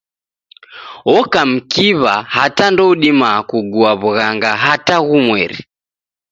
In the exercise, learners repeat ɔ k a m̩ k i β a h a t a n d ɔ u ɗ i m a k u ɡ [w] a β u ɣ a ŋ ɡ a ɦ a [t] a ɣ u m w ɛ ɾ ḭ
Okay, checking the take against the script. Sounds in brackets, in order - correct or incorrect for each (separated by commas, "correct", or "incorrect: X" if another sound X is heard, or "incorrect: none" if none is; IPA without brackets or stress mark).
incorrect: u, correct